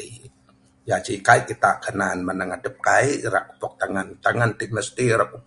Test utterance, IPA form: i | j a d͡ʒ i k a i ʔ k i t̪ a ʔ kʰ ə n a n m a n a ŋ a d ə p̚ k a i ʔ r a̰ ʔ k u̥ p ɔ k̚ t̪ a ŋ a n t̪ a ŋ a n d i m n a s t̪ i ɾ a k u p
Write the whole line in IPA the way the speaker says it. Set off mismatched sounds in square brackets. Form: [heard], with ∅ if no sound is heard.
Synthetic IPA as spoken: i | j a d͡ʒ i k a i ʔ k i t̪ a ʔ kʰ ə n a n m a n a ŋ a d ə p̚ k a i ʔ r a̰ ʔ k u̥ p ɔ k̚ t̪ a ŋ a n t̪ a ŋ a n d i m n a s t̪ i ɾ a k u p